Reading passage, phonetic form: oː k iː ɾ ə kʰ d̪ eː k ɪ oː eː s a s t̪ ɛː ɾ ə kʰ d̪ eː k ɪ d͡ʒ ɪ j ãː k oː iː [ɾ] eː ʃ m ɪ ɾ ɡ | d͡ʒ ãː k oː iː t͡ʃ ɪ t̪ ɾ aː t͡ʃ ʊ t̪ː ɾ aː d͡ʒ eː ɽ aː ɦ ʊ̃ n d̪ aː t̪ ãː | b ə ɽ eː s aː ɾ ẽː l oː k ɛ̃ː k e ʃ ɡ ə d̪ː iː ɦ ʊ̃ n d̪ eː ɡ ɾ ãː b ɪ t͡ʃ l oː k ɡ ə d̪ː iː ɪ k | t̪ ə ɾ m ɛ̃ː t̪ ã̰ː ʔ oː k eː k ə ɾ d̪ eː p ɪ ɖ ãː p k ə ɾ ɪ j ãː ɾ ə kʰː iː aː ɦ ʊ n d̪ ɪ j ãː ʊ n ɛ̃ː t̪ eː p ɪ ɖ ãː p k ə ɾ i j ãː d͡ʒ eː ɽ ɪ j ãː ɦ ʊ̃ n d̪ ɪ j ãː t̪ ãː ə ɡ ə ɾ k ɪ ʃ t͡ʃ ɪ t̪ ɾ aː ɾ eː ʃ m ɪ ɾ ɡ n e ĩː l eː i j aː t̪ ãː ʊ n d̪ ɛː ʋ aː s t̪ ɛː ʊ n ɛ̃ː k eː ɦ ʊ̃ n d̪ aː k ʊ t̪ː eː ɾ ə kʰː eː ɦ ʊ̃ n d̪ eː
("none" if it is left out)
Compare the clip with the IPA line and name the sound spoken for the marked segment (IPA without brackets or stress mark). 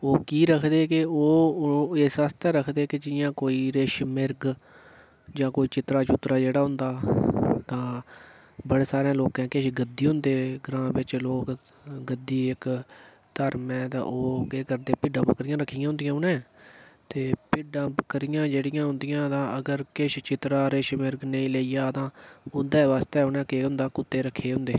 ɾ